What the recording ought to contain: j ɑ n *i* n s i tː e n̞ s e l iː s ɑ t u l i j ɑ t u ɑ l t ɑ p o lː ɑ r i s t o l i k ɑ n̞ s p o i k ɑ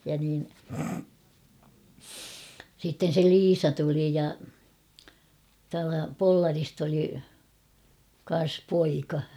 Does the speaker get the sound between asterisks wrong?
yes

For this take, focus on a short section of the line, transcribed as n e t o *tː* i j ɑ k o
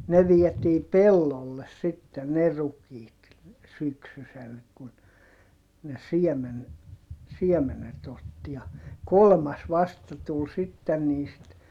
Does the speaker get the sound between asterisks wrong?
no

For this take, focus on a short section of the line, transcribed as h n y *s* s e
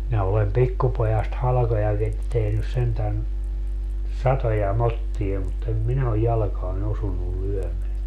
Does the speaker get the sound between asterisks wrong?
no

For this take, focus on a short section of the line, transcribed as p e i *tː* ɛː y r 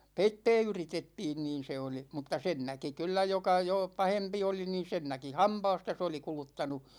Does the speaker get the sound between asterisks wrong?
no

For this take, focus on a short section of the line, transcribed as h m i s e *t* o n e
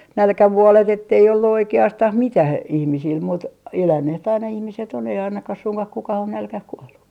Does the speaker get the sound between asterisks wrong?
no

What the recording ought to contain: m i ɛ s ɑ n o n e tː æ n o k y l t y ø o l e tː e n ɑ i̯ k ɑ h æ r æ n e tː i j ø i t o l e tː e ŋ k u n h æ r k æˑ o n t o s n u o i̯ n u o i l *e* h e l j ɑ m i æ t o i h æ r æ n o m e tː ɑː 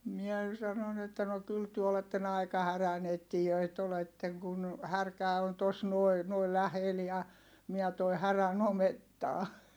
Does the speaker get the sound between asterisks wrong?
yes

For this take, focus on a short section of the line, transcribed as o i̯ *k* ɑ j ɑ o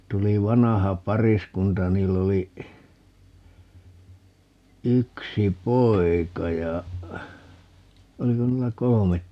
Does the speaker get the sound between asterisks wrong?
no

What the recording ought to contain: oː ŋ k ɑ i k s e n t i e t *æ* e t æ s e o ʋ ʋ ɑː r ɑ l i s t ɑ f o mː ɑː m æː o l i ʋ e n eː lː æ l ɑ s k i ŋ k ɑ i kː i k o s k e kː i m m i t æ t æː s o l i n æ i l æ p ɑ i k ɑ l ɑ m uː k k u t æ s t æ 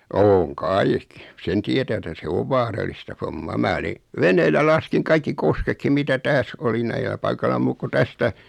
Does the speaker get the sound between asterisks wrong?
no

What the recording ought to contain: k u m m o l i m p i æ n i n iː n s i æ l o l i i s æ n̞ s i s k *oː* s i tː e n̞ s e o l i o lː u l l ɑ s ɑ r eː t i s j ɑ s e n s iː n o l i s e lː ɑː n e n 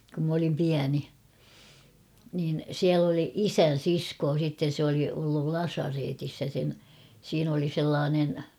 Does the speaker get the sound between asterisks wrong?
no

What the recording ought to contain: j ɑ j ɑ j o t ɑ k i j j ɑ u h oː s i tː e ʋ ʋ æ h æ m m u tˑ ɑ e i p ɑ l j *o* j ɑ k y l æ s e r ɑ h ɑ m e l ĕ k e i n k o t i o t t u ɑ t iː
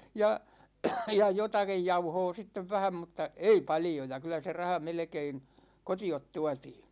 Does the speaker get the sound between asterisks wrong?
no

